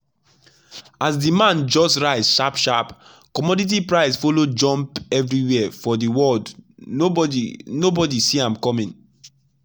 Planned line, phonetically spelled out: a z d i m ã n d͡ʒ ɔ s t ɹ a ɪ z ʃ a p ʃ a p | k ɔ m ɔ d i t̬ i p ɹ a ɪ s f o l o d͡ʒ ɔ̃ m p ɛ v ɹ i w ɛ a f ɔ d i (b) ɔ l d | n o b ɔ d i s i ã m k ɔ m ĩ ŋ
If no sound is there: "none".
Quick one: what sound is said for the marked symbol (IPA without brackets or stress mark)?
w